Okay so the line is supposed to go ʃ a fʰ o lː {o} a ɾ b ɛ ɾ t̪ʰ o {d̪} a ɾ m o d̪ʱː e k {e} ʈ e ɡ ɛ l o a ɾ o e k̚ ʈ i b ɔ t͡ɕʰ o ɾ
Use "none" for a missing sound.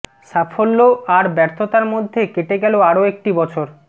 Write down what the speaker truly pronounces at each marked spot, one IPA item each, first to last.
o, t̪, e

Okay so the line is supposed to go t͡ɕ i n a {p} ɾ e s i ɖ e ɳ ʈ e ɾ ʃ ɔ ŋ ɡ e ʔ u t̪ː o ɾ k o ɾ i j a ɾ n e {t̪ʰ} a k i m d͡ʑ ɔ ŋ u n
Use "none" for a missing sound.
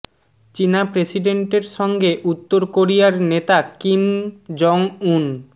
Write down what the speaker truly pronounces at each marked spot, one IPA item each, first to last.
p, t̪

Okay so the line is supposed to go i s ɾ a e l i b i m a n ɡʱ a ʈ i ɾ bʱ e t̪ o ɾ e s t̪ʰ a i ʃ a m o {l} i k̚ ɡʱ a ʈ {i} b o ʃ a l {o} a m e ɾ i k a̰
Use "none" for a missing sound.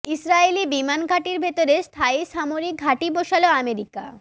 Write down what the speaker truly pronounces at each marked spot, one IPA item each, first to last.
ɾ, i, o

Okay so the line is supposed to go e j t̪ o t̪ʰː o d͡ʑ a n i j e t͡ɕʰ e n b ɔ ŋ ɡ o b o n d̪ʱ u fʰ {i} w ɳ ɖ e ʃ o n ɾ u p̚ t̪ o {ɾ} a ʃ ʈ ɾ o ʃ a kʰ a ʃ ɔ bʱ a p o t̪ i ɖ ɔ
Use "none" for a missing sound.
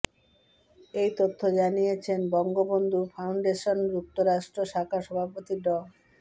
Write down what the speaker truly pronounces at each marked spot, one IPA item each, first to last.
a, ɾ

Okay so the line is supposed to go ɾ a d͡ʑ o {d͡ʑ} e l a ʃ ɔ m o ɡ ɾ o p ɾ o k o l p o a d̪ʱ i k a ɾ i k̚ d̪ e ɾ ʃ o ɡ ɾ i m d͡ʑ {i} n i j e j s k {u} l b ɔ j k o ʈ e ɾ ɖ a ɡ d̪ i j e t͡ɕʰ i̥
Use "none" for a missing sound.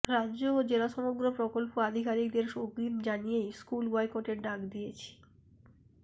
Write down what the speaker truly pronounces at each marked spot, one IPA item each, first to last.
d͡ʑ, a, u

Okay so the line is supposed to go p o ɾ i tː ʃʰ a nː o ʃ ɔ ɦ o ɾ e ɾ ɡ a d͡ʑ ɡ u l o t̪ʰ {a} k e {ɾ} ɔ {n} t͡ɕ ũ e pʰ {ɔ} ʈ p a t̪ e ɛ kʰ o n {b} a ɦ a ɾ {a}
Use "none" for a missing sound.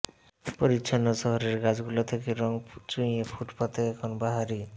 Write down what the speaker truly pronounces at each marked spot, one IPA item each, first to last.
e, ɾ, ŋ, u, b, i

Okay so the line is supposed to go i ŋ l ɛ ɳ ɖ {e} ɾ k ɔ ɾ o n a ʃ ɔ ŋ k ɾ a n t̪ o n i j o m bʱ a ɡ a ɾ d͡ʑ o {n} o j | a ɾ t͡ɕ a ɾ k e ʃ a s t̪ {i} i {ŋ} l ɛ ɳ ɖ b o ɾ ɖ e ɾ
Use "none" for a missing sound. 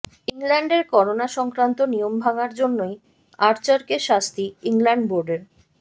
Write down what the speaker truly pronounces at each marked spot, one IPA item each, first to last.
e, nː, i, ŋ

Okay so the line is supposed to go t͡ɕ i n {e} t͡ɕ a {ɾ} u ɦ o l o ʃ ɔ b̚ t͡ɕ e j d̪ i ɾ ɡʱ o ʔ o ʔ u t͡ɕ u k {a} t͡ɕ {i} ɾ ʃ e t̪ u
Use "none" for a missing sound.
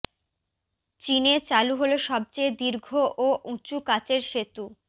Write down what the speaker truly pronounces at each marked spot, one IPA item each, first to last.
e, l, a, e

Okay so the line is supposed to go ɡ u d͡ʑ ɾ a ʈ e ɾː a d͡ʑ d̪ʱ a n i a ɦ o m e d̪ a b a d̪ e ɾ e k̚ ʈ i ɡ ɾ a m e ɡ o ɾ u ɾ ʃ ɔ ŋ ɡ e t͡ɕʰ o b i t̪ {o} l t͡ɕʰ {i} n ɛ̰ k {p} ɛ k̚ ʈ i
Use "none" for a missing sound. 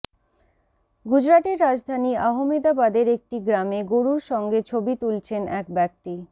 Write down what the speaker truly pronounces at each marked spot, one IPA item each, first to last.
u, e, b

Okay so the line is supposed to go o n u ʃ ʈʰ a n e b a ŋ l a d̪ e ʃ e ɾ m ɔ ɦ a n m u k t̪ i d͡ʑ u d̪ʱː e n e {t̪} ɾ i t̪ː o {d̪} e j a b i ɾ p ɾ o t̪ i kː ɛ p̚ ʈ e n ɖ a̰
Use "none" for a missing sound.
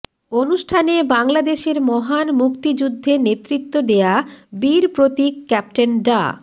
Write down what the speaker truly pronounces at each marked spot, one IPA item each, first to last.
t̪, d̪

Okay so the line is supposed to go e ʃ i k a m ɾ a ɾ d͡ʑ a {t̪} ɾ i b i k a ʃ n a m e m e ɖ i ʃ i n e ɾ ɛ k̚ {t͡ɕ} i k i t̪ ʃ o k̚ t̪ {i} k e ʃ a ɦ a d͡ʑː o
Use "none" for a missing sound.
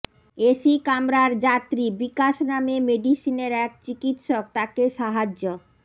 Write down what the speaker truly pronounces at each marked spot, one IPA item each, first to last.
t̪, t͡ɕ, a

